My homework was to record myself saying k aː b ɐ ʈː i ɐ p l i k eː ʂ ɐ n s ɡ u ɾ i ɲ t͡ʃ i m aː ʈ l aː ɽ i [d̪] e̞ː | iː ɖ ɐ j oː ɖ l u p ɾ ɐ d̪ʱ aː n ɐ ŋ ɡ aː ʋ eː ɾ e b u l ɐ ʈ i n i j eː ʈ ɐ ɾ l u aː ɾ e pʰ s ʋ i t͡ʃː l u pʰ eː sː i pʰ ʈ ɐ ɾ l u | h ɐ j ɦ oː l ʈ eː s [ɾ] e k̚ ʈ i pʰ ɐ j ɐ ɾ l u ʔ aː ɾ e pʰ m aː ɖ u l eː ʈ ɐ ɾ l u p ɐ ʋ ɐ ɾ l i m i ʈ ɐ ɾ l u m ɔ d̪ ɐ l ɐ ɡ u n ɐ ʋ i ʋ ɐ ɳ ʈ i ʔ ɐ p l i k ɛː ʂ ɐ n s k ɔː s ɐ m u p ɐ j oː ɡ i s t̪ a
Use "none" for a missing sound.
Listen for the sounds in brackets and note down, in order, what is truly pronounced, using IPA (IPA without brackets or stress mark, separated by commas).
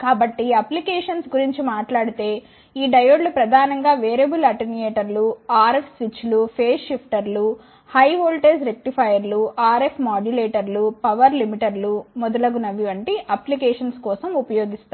t̪, ɾ